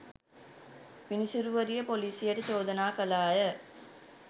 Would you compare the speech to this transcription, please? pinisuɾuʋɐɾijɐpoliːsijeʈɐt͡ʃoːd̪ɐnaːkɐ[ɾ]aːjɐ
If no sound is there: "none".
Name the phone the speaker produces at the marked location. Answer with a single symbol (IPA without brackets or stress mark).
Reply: l